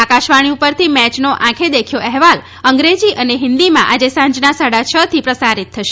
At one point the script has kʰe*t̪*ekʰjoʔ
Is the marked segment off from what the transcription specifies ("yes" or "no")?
yes